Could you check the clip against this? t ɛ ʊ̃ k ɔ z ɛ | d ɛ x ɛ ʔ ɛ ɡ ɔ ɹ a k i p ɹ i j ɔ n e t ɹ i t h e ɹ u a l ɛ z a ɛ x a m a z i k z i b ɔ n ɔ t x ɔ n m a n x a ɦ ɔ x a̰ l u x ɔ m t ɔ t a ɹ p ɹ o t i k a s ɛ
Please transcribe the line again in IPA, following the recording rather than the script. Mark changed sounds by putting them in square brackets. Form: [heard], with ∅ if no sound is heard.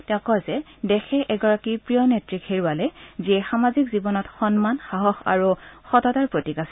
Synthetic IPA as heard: t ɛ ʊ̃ k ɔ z ɛ | d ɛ x ɛ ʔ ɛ ɡ ɔ ɹ a k i p ɹ i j ɔ n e t ɹ i [k] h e ɹ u a l ɛ z [i] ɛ x a m a z i k z i b ɔ n ɔ t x ɔ n m a n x a ɦ ɔ x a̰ [ɹ] u x ɔ [∅] t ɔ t a ɹ p ɹ o t i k a s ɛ